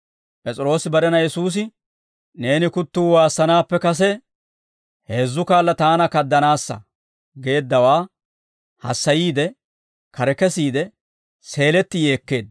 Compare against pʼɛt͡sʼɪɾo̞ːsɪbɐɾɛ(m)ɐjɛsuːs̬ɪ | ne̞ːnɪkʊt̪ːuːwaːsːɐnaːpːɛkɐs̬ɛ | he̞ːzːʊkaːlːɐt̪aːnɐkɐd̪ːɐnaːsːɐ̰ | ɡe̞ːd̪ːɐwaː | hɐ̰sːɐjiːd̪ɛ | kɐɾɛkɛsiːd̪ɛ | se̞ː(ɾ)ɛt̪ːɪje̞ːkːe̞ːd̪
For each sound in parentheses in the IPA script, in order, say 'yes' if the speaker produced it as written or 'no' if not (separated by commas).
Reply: no, no